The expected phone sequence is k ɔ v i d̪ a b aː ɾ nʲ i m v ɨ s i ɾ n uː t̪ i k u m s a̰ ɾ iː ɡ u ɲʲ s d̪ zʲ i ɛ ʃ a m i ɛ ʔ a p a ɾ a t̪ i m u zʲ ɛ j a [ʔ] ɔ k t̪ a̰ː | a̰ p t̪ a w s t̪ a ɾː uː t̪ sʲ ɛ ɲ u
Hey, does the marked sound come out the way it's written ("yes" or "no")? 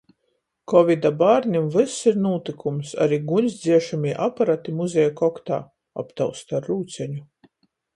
no